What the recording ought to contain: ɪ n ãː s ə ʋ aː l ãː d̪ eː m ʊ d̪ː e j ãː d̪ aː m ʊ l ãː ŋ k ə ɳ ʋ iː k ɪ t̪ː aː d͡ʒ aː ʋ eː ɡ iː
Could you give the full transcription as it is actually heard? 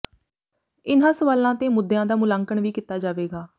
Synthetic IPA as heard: ɪ n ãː s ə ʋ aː l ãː t̪ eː m ʊ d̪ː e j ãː d̪ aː m ʊ l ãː ŋ k ə ɳ ʋ iː k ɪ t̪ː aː d͡ʒ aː ʋ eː ɡ aː